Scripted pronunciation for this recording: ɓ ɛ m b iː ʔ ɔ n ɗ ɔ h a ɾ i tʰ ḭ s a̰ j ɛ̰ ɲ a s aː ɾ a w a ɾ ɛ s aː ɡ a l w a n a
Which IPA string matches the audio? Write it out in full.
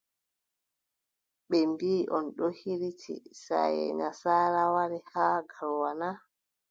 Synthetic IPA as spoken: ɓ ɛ m b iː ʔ ɔ n ɗ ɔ h i ɾ i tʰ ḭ s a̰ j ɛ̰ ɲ a s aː ɾ a w a ɾ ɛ h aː ɡ a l w a n a